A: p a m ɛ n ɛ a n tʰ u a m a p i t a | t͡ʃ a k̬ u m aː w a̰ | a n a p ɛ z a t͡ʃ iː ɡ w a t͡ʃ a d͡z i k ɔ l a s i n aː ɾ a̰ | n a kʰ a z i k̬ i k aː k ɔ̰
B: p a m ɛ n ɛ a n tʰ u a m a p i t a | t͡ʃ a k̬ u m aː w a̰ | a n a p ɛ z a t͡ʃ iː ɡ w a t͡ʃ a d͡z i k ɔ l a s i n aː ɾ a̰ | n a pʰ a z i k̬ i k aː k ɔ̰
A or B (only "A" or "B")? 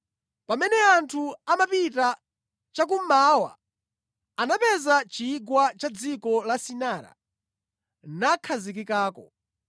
A